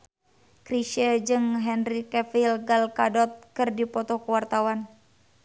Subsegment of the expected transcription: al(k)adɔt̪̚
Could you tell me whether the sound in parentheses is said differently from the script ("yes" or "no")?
no